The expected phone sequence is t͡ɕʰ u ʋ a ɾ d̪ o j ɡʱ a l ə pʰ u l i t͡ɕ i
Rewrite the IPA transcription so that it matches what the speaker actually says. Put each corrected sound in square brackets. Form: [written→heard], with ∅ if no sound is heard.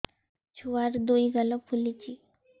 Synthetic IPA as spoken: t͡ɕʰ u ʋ a ɾ d̪ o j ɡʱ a l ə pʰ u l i t͡ɕ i